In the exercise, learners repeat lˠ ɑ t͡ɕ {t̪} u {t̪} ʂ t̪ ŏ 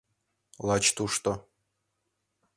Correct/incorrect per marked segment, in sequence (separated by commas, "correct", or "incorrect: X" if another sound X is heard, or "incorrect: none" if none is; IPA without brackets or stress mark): correct, incorrect: none